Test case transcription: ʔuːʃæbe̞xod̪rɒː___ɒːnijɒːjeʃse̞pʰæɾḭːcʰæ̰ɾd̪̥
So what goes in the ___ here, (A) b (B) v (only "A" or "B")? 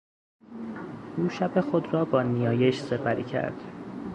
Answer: A